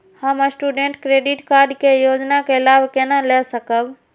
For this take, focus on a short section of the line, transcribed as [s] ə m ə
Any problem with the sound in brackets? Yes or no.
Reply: yes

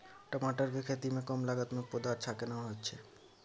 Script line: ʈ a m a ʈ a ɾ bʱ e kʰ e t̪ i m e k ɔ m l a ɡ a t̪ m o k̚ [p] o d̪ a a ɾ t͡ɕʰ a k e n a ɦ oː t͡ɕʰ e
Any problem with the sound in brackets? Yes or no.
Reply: no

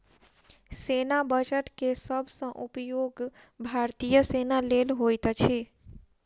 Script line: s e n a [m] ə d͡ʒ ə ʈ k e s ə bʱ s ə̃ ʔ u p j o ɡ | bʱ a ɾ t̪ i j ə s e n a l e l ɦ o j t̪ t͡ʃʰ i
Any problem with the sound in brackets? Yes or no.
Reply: yes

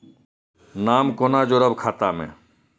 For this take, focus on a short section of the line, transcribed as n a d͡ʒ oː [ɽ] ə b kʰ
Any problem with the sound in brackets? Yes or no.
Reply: yes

